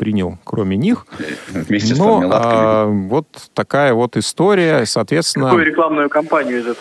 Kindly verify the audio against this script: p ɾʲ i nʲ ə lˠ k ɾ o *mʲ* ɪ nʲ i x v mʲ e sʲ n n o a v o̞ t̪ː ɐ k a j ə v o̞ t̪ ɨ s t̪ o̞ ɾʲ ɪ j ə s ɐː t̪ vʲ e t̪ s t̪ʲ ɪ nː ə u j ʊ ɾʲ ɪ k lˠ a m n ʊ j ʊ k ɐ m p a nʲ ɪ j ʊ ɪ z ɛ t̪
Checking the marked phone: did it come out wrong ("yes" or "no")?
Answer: no